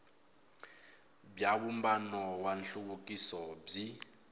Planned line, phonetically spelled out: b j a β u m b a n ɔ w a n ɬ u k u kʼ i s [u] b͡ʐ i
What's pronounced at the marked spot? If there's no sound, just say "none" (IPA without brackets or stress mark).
ɔ